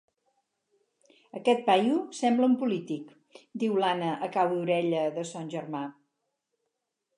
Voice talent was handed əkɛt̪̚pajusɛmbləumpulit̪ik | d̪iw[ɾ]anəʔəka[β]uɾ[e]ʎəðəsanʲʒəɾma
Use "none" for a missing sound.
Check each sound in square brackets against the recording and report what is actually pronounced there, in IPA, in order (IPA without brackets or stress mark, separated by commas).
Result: l, w, ɛ